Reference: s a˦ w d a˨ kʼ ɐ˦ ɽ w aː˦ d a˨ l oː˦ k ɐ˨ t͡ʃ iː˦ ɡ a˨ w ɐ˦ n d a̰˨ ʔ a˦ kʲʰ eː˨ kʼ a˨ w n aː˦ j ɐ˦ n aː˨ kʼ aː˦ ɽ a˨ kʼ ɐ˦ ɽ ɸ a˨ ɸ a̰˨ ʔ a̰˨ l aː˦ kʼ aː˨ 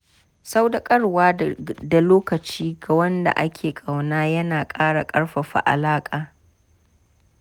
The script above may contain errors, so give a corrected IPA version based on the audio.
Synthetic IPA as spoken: s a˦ w d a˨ kʼ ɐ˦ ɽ w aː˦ d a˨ l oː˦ k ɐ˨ t͡ʃ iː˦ ɡ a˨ w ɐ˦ n d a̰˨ ʔ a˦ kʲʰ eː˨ kʼ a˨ w n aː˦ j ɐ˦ n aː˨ kʼ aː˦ ɽ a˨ kʼ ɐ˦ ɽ ɸ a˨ ɸ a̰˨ ʔ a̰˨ l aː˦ kʼ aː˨